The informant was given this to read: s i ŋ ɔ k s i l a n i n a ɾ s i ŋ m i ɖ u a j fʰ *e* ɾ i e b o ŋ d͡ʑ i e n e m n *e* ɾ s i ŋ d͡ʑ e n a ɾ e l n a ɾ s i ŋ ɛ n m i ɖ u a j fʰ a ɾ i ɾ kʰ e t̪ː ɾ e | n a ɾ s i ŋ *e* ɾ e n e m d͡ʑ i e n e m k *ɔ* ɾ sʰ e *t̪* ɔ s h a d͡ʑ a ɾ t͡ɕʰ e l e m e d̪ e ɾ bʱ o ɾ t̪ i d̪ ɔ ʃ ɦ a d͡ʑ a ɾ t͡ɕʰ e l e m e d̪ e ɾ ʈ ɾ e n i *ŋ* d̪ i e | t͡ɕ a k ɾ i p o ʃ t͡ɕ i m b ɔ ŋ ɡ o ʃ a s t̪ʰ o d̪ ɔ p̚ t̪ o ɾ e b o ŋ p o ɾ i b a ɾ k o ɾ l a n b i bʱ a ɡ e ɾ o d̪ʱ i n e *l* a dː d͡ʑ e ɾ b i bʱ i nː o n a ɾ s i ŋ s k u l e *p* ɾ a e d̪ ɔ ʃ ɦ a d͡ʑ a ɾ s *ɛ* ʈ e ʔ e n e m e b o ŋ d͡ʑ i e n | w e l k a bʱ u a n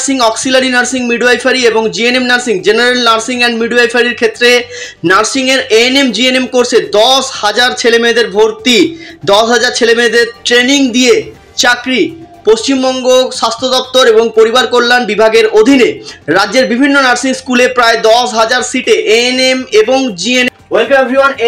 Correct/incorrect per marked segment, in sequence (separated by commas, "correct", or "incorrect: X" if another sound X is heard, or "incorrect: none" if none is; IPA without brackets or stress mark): incorrect: a, incorrect: a, correct, incorrect: o, incorrect: d̪, correct, incorrect: ɾ, correct, incorrect: i